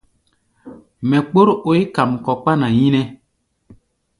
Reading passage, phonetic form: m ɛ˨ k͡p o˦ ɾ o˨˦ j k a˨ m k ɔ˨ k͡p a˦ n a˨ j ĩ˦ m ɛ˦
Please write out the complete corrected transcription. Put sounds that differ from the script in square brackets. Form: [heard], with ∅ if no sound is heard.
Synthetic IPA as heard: m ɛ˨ k͡p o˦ ɾ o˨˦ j k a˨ m k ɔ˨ k͡p a˦ n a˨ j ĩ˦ [n] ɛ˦